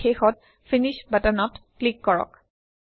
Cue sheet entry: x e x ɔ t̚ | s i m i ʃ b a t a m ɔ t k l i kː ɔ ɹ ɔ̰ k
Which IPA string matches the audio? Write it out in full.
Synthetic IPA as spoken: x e x ɔ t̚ | f i n i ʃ b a t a n ɔ t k l i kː ɔ ɹ ɔ̰ k